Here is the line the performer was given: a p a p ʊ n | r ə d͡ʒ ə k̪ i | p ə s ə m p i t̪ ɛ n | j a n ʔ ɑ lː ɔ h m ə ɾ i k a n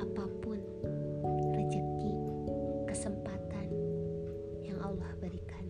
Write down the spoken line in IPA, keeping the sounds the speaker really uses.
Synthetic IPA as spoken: a p a p ʊ n | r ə d͡ʒ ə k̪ i | k ə s ə m p a t̪ a n | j a ŋ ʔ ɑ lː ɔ h b ə ɾ i k a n